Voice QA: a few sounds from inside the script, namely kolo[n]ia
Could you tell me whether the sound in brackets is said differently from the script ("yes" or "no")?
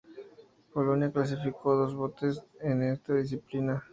no